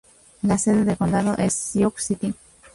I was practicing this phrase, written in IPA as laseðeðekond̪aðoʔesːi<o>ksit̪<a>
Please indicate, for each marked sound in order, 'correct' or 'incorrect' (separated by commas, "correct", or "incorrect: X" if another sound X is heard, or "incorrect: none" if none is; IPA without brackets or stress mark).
correct, incorrect: i